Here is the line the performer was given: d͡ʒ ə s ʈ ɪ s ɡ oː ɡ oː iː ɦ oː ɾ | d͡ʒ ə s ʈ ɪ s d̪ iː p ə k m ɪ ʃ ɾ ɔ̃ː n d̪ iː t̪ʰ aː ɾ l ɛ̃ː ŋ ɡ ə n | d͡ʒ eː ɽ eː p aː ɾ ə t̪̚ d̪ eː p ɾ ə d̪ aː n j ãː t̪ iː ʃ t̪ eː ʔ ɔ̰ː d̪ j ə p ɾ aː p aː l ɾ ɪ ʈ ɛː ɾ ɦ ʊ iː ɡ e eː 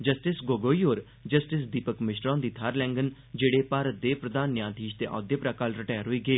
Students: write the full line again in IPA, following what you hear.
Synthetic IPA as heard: d͡ʒ ə s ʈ ɪ s ɡ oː ɡ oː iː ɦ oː ɾ | d͡ʒ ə s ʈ ɪ s d̪ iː p ə k m ɪ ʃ ɾ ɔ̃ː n d̪ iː t̪ʰ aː ɾ l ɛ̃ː ŋ ɡ ə n | d͡ʒ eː ɽ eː p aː ɾ ə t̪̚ d̪ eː p ɾ ə d̪ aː n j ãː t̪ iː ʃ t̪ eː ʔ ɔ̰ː d̪ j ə p ɾ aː k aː l ɾ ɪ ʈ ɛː ɾ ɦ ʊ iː ɡ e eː